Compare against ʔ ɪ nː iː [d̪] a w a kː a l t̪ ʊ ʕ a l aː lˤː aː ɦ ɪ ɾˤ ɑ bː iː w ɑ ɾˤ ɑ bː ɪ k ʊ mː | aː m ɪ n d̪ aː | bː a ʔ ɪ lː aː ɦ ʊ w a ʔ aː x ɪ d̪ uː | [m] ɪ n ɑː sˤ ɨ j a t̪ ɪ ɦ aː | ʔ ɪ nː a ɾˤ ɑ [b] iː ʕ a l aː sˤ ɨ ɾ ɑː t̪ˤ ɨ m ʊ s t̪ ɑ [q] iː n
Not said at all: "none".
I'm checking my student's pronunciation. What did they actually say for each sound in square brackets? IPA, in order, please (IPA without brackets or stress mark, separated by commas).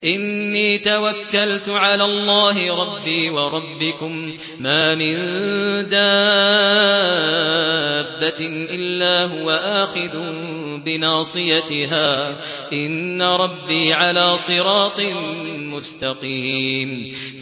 t̪, b, bː, q